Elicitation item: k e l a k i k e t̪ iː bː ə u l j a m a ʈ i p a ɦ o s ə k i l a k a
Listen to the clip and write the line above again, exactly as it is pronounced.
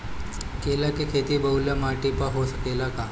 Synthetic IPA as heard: k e l a k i kʰ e t̪ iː b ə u l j a m a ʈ i p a ɦ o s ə k e l a k a